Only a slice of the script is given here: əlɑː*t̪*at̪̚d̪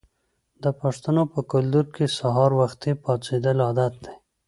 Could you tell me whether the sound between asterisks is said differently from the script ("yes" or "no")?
yes